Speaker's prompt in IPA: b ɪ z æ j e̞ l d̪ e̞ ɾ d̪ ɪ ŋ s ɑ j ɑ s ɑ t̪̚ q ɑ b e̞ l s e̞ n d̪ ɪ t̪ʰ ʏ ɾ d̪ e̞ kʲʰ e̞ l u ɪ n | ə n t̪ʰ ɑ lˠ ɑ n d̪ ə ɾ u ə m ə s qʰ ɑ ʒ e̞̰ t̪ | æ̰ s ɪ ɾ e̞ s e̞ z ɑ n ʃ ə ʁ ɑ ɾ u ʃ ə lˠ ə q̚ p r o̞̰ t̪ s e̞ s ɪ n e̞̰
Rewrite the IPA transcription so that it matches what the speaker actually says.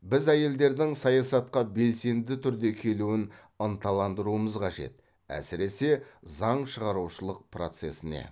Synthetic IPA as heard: b ɪ z æ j e̞ l d̪ e̞ ɾ d̪ ɪ ŋ s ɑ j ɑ s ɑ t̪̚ q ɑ b e̞ l s e̞ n d̪ ɪ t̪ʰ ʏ ɾ d̪ e̞ kʲʰ e̞ l u ɪ n | ə n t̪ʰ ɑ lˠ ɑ n d̪ ə ɾ u ə m ə z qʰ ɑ ʒ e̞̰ t̪ | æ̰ s ɪ ɾ e̞ s e̞ z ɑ ɴ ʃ ə ʁ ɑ ɾ u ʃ ə lˠ ə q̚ p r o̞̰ t̪ s e̞ s ɪ n e̞̰